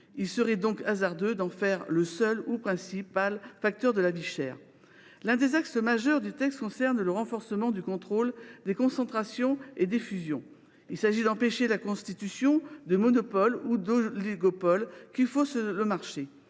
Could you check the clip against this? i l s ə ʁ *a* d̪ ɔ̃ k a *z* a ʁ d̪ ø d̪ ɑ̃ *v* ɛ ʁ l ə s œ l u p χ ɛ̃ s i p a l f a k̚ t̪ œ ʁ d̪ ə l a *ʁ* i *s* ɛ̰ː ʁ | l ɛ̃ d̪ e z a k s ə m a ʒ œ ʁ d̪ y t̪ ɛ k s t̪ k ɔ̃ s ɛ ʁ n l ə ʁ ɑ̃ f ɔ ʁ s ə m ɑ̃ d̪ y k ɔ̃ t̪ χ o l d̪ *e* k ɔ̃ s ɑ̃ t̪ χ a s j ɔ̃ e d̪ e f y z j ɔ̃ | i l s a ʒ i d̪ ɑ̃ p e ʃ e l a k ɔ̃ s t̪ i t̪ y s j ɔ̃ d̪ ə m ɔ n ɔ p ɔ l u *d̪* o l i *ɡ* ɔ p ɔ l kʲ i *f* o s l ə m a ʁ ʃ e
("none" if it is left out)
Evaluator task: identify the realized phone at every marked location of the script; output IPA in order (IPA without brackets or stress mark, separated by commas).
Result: ɛ, z, f, v, ʃ, e, d̪, ɡ, f